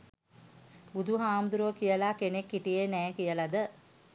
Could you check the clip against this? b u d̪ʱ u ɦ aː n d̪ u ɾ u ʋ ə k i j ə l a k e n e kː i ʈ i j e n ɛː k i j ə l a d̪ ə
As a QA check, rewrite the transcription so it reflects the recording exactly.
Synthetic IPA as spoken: b u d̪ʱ u ɦ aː m d̪ u ɾ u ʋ ə k i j ə l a k e n e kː i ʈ i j e n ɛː k i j ə l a d̪ ə